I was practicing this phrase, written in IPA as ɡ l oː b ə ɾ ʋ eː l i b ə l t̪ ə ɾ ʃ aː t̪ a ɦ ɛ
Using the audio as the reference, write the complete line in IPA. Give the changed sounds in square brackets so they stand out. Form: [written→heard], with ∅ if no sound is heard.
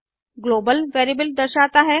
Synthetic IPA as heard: ɡ l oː b ə [ɾ→l] ʋ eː [l→ɾ] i b ə l [t̪→d̪] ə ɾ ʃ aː t̪ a ɦ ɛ